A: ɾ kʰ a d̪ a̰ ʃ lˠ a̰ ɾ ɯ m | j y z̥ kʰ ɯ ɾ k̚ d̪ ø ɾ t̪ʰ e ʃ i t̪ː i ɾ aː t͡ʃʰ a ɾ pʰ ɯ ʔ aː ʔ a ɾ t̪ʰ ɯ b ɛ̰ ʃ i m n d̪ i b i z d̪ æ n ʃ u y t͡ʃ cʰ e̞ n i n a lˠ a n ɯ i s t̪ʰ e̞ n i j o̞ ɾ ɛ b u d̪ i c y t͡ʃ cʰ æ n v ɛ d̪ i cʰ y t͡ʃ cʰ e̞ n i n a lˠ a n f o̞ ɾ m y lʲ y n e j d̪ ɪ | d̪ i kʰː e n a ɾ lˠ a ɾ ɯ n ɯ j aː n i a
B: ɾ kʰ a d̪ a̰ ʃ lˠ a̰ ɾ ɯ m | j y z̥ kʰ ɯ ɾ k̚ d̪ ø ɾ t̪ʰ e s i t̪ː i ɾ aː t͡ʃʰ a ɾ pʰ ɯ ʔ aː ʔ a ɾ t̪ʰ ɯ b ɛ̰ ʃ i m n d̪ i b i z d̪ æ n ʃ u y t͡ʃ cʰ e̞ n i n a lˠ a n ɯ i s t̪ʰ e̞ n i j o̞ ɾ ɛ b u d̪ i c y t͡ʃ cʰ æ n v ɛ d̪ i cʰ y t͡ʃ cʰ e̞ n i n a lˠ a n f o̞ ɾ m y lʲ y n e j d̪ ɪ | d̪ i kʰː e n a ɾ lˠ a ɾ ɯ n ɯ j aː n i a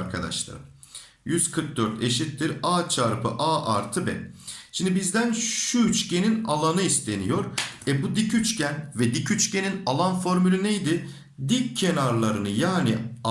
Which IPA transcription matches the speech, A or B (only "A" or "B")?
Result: A